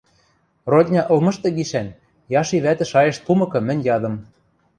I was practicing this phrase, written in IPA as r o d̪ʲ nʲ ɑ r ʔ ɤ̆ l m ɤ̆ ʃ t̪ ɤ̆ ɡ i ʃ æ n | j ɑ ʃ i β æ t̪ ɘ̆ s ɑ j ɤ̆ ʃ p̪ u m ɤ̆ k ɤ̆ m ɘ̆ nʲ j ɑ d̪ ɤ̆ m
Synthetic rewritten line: r o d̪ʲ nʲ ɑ ʔ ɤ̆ l m ɤ̆ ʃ t̪ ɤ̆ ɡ i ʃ æ n | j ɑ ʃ i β æ t̪ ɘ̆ ʃ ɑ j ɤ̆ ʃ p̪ u m ɤ̆ k ɤ̆ m ɘ̆ nʲ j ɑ d̪ ɤ̆ m